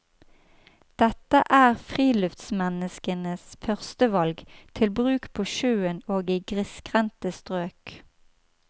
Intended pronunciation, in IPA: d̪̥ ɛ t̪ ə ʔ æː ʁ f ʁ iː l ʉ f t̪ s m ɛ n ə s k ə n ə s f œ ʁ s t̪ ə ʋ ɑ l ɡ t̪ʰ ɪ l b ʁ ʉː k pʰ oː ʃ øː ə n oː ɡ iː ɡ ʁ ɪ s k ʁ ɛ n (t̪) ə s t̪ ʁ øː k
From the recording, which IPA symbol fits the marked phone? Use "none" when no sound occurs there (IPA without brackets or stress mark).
t̪